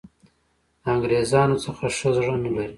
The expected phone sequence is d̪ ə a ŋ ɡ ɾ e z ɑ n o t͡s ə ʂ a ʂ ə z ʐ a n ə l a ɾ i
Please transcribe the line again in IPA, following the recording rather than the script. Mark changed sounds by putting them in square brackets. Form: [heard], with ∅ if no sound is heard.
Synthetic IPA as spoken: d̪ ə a ŋ ɡ ɾ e z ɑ n o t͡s ə [x] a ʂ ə z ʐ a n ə l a ɾ i